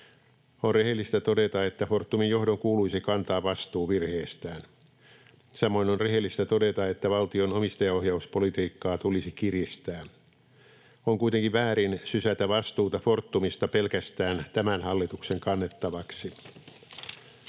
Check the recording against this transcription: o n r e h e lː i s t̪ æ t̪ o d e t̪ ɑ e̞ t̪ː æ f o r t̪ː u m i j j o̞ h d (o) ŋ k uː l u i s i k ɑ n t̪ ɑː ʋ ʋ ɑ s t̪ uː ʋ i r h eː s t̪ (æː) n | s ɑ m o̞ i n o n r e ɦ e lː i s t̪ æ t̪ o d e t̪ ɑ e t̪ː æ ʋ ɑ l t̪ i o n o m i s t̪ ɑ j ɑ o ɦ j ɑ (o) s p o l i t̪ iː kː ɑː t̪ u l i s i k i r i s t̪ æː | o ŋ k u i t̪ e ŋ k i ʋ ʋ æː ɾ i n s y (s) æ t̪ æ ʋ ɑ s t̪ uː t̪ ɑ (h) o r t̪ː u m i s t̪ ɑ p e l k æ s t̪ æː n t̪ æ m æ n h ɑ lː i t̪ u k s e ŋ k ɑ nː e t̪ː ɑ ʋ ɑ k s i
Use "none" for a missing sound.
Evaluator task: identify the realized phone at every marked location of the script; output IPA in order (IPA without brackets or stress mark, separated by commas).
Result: o, æː, u, s, f